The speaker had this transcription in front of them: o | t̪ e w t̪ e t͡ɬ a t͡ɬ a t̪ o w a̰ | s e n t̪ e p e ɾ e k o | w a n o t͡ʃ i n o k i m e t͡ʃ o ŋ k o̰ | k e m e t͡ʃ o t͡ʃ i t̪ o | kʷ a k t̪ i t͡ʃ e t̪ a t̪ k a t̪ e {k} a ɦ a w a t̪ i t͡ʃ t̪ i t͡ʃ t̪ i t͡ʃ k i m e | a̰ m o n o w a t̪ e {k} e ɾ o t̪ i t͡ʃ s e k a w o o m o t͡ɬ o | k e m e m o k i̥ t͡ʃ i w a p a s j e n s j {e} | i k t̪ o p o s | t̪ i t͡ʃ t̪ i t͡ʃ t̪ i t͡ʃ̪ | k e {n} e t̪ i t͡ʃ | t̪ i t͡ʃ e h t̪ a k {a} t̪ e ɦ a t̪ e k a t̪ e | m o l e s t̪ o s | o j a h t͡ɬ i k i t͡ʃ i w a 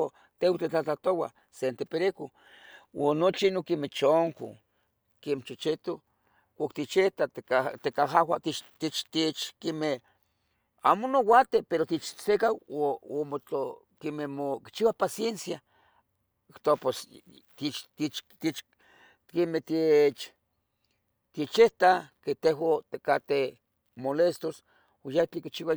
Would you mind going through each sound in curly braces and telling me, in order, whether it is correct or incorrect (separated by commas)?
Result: correct, incorrect, incorrect, incorrect, incorrect